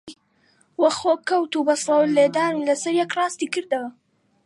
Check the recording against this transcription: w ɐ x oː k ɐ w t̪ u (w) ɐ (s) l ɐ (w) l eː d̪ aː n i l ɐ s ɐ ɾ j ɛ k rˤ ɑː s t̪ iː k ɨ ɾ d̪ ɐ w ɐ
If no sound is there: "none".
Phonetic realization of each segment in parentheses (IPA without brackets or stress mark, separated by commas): b, s, w